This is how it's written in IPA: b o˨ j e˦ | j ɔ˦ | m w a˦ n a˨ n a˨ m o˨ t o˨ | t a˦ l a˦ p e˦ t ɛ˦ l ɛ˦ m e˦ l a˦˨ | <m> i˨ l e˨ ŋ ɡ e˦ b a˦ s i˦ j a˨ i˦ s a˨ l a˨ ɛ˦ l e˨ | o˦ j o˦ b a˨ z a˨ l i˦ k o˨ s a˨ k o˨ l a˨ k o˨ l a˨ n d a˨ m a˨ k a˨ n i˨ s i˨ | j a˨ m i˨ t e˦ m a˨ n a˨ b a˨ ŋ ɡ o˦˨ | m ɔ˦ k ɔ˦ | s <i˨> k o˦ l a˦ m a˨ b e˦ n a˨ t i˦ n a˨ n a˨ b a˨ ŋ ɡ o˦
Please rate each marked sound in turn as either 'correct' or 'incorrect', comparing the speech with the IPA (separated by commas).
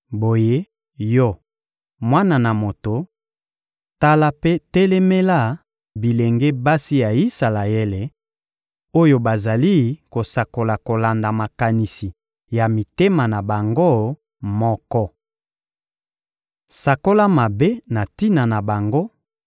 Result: incorrect, incorrect